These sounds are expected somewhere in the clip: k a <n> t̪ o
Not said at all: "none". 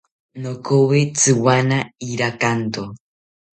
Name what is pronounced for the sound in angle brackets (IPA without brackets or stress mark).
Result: n